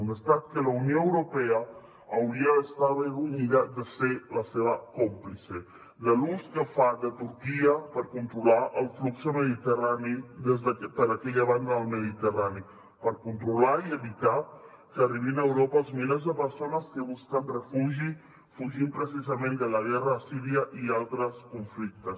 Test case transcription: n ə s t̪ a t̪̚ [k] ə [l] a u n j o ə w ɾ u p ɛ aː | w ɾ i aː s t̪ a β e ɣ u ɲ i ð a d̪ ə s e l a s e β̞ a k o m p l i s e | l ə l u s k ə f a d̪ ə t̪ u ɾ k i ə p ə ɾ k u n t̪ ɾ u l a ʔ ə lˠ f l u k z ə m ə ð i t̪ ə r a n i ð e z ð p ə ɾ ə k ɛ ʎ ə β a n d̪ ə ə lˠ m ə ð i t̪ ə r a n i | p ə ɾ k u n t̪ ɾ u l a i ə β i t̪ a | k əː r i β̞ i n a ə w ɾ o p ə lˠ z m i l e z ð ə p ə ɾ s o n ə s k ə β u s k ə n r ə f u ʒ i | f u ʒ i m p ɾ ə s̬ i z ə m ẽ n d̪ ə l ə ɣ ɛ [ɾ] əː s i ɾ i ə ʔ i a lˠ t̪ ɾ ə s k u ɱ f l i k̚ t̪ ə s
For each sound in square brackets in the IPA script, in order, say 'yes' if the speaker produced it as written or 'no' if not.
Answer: yes, yes, no

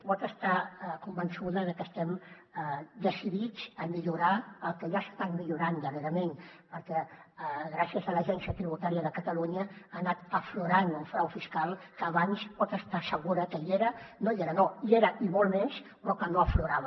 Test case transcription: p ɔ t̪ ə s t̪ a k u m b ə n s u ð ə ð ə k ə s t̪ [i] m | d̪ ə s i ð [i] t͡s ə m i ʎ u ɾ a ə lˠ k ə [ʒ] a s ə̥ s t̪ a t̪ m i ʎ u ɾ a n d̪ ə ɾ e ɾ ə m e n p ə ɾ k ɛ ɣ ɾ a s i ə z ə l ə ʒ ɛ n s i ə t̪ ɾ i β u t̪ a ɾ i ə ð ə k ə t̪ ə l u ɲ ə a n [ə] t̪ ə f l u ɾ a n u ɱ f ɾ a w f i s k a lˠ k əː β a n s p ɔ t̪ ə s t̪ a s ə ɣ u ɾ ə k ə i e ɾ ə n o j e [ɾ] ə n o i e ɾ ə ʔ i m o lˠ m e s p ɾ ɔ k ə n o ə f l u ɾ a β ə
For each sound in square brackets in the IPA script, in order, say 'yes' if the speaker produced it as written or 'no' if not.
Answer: no, yes, yes, no, yes

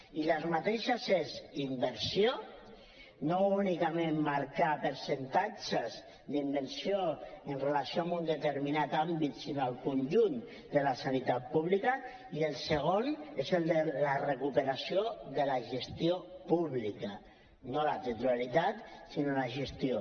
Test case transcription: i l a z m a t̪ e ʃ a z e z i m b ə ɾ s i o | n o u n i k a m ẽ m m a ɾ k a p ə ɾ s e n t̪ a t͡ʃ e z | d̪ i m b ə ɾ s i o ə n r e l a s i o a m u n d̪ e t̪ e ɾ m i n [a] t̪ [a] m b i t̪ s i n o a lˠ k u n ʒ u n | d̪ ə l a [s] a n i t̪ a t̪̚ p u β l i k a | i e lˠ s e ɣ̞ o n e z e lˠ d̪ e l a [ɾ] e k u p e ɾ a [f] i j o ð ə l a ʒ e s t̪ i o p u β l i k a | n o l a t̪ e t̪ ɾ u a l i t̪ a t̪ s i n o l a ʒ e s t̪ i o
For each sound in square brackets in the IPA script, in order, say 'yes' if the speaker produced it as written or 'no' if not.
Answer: yes, yes, yes, no, no

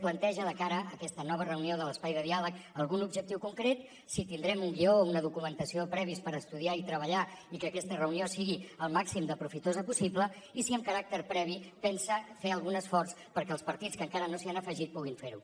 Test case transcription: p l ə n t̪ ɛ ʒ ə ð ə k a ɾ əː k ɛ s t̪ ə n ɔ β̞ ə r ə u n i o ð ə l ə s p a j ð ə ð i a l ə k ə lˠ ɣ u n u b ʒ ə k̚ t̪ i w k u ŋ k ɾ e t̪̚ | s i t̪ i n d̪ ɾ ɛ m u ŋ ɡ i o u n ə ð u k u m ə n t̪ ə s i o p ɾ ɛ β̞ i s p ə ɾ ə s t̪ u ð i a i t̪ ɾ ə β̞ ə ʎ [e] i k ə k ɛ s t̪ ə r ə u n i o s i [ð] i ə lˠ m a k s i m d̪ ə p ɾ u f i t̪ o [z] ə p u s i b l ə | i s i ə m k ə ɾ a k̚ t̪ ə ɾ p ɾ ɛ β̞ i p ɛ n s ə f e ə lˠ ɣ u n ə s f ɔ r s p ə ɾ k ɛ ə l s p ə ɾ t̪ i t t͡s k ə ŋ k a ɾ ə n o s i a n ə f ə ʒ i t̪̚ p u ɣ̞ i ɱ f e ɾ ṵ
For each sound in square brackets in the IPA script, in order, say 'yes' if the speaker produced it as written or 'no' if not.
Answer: no, no, yes

